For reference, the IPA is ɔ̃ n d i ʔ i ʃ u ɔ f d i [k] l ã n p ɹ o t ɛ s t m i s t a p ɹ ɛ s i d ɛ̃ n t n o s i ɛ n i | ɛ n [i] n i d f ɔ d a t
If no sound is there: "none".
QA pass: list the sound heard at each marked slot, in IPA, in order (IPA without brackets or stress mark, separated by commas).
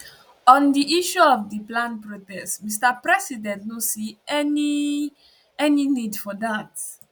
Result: p, i